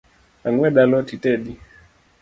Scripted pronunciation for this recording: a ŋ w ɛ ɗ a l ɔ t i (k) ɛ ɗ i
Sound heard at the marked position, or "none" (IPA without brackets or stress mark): t